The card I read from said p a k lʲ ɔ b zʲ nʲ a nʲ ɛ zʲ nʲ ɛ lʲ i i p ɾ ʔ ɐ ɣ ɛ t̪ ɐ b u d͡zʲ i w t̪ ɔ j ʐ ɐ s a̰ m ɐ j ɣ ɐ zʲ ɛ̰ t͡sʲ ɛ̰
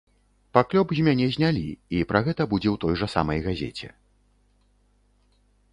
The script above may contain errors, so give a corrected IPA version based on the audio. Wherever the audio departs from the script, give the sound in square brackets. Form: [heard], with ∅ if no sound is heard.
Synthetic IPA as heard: p a k lʲ ɔ b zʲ [mʲ] a nʲ ɛ zʲ nʲ [a] lʲ i i p ɾ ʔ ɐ ɣ ɛ t̪ ɐ b u d͡zʲ [ɛ] w t̪ ɔ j ʐ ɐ s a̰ m ɐ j ɣ [a] zʲ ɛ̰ t͡sʲ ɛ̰